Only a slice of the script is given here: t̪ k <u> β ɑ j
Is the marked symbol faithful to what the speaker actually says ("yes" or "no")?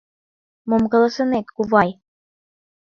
yes